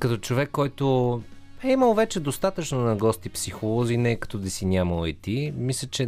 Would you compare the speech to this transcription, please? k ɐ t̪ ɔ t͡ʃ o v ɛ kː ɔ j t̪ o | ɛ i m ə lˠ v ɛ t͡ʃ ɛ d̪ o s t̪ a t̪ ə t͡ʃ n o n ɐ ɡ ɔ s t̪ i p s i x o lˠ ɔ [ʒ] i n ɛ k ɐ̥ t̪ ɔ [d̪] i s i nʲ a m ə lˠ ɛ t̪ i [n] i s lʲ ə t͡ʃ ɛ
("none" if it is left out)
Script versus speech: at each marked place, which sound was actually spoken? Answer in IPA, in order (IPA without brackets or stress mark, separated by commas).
z, d̪, m